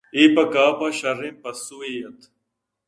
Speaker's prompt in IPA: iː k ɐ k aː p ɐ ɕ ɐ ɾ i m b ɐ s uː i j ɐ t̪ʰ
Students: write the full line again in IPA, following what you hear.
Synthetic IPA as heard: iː p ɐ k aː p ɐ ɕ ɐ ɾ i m p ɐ s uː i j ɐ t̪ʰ